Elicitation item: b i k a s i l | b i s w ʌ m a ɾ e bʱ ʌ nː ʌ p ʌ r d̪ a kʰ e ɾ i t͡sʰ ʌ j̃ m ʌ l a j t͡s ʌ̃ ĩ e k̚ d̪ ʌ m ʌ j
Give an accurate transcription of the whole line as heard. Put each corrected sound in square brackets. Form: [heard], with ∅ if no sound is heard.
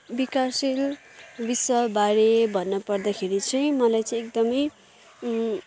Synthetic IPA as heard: b i k a s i l | b i s w ʌ [b] a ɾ e bʱ ʌ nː ʌ p ʌ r d̪ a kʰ e ɾ i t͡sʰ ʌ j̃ m ʌ l a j t͡s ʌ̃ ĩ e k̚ d̪ ʌ m ʌ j